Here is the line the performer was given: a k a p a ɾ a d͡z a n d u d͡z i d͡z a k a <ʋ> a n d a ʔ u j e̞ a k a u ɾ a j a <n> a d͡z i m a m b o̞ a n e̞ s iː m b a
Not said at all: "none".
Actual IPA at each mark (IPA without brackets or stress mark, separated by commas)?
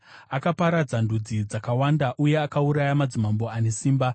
w, m